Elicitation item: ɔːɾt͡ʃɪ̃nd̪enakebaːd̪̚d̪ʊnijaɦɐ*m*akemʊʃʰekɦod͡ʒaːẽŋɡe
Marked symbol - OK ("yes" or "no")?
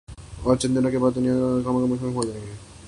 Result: yes